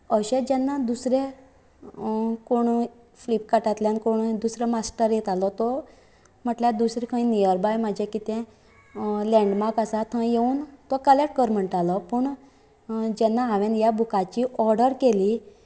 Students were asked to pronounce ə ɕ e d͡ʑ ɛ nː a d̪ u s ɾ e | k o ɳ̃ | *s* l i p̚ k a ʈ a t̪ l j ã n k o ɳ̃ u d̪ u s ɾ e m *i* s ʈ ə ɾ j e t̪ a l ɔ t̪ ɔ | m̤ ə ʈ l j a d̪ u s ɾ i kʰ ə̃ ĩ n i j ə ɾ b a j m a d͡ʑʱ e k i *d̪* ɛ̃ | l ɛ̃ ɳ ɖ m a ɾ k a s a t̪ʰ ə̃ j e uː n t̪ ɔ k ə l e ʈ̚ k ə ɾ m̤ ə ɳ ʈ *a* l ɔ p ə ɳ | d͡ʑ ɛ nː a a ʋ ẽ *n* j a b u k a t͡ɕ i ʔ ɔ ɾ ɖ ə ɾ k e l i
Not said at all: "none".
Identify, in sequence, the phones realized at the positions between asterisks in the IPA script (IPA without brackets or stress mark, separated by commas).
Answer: f, a, t̪, a, n